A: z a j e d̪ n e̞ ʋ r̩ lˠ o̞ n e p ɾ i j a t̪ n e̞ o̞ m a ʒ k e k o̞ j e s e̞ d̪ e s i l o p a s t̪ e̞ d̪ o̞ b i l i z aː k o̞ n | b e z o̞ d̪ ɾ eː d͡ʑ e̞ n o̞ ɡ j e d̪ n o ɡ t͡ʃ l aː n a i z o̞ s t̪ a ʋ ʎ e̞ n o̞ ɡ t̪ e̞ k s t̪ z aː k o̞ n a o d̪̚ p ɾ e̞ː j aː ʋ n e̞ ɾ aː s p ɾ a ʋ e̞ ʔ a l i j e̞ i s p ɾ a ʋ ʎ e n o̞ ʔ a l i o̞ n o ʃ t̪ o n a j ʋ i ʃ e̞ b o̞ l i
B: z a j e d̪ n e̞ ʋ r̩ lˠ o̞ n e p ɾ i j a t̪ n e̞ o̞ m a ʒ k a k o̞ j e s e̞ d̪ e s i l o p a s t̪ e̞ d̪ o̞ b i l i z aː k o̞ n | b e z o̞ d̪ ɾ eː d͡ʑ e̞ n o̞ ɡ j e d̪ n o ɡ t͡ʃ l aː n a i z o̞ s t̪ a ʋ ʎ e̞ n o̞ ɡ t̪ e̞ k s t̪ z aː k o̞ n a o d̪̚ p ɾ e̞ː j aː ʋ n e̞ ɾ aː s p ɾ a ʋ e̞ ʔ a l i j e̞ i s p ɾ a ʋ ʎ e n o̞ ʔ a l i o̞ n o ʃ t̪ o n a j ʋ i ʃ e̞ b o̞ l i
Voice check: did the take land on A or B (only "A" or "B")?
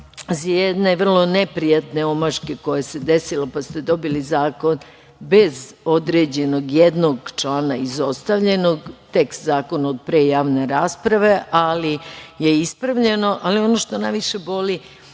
A